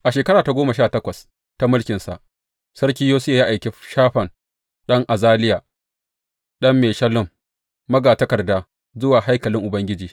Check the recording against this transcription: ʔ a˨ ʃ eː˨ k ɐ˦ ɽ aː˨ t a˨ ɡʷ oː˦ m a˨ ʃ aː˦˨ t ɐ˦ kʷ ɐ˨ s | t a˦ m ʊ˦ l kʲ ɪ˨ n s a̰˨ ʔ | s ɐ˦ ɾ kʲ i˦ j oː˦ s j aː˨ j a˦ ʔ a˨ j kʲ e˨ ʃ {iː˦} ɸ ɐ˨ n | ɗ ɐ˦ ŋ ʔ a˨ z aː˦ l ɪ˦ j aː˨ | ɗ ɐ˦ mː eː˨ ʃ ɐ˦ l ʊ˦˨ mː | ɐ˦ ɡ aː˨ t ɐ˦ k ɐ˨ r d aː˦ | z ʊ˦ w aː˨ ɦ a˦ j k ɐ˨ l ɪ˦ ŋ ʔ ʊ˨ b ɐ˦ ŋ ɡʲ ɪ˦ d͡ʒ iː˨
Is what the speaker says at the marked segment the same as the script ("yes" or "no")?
no